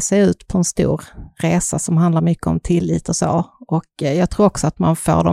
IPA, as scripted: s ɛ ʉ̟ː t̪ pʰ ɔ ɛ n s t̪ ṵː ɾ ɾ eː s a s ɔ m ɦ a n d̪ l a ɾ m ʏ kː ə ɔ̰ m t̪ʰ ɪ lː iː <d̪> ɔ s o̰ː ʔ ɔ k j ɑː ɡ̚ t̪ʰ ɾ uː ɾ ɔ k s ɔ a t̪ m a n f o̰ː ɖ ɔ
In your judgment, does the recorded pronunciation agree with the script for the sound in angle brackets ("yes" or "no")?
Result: no